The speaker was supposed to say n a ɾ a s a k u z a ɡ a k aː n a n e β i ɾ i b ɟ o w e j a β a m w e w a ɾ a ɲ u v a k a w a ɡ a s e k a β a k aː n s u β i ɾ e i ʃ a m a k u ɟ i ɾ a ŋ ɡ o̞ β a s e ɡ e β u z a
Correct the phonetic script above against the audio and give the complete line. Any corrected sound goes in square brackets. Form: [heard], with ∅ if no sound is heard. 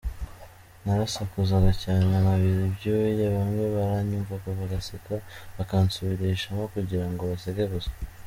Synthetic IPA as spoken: n a ɾ a s a k u z a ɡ a [c] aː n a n [a] β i ɾ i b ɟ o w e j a β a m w e [β] a ɾ a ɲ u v a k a [β] a ɡ a s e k a β a k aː n s u β i ɾ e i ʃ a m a k u ɟ i ɾ a ŋ ɡ o̞ β a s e ɡ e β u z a